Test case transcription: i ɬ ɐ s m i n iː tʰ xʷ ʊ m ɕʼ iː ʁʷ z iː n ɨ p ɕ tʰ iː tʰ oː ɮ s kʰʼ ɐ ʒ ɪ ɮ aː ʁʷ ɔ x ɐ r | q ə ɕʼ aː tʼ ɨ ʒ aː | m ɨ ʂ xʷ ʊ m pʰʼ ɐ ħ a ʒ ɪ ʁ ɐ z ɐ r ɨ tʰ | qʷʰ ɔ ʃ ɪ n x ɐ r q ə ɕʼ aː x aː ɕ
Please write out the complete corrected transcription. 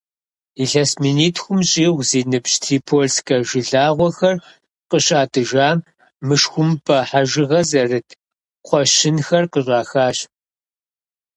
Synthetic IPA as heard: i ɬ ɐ s m i n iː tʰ xʷ ʊ m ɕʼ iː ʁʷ z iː n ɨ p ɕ tʰ iː pʰ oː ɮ s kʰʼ ɐ ʒ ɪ ɮ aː ʁʷ ɔ x ɐ r | q ə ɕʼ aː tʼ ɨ ʒ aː | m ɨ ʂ xʷ ʊ m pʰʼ ɐ ħ a ʒ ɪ ʁ ɐ z ɐ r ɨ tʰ | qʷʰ ɔ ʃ ɪ n x ɐ r q ə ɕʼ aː x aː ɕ